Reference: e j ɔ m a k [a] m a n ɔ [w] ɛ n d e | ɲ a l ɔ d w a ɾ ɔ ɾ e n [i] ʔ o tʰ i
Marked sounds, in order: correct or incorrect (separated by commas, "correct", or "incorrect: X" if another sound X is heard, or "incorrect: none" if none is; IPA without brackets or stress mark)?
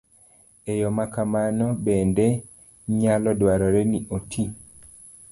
correct, incorrect: b, correct